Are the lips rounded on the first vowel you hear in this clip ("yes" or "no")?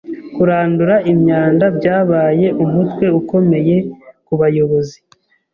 yes